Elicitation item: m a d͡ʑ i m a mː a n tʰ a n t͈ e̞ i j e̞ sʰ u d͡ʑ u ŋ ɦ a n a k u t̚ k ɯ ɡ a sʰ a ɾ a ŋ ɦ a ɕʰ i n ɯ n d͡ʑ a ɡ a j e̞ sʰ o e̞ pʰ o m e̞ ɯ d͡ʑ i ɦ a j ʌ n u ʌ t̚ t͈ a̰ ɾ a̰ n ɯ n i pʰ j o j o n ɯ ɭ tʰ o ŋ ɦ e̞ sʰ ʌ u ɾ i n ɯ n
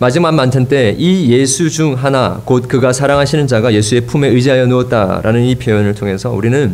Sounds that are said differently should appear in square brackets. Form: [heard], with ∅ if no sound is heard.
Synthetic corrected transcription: m a d͡ʑ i m a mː a n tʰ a n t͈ e̞ i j e̞ sʰ u d͡ʑ u ŋ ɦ a n a k [o] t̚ k ɯ ɡ a sʰ a ɾ a ŋ ɦ a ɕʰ i n ɯ n d͡ʑ a ɡ a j e̞ sʰ [u] e̞ pʰ [u] m e̞ ɯ d͡ʑ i ɦ a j ʌ n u ʌ t̚ t͈ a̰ ɾ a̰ n ɯ n i pʰ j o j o n ɯ ɭ tʰ o ŋ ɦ e̞ sʰ ʌ u ɾ i n ɯ n